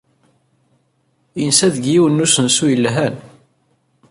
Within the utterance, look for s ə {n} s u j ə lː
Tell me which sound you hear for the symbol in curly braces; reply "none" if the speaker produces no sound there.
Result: n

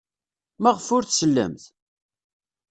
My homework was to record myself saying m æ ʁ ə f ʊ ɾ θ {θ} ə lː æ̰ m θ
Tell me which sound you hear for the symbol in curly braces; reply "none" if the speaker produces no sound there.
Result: s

